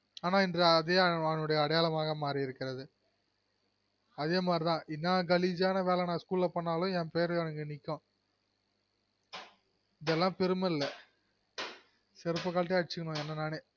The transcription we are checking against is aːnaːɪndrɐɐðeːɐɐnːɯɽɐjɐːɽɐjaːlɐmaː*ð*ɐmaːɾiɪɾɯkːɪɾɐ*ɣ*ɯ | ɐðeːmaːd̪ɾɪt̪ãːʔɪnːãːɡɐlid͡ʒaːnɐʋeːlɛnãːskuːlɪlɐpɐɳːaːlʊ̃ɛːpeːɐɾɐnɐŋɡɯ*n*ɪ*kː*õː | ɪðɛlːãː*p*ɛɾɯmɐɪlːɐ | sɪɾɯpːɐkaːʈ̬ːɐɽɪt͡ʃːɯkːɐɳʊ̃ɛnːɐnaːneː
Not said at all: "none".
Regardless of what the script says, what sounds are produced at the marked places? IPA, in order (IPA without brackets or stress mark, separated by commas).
ɣ, ð, n, kː, p